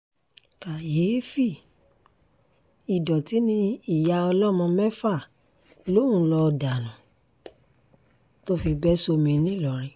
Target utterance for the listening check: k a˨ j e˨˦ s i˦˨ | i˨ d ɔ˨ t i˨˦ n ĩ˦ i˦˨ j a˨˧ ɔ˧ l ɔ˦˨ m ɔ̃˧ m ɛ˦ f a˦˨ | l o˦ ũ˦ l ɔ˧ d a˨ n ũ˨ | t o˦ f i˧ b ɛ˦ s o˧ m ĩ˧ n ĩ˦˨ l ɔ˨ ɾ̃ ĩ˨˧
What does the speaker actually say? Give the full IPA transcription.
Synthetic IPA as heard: k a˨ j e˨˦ f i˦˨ | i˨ d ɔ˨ t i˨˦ n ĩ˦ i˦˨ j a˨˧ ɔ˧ l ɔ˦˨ m ɔ̃˧ m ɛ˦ f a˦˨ | l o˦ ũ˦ l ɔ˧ d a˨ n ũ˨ | t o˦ f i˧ b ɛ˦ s o˧ m ĩ˧ n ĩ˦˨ l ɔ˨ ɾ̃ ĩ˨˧